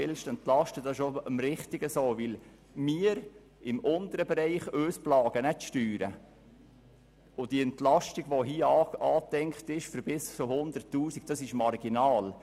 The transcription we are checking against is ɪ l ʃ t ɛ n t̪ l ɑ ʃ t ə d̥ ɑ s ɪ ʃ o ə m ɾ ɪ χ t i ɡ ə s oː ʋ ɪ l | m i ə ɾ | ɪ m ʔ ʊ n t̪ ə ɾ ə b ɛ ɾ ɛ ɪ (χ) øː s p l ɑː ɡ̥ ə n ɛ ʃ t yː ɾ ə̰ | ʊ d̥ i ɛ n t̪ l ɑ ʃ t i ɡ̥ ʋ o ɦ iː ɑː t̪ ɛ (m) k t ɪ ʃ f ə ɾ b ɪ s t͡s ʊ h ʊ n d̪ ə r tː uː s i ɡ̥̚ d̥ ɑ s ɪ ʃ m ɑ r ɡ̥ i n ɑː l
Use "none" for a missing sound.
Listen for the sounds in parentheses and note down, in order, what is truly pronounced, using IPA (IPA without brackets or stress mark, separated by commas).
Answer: χ, ŋ